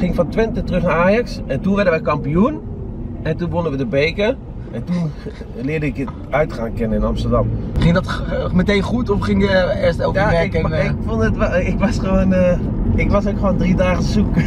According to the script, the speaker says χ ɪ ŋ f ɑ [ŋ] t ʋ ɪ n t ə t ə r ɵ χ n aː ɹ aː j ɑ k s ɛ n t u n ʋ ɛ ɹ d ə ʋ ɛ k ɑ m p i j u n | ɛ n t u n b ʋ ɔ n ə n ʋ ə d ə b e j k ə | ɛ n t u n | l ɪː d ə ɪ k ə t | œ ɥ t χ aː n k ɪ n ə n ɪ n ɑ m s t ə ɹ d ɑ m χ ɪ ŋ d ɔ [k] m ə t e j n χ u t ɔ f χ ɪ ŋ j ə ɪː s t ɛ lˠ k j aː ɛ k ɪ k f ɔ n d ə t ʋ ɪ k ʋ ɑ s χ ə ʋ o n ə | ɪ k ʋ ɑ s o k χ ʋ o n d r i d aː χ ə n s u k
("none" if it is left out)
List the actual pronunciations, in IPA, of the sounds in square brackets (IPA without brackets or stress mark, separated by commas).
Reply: n, t